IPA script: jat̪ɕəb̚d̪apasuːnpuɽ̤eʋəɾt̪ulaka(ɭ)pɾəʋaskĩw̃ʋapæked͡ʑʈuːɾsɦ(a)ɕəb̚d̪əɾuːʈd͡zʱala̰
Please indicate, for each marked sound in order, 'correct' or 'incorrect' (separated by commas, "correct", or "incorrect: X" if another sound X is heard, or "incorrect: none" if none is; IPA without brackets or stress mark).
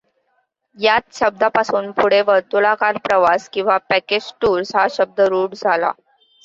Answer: incorrect: ɾ, correct